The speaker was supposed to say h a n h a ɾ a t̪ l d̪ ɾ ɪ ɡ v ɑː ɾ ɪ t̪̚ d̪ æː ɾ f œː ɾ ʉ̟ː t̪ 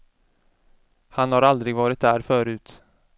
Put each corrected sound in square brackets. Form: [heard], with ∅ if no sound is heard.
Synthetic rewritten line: h a n h a ɾ a [∅] l d̪ ɾ ɪ ɡ v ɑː ɾ ɪ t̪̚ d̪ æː ɾ f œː ɾ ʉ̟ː t̪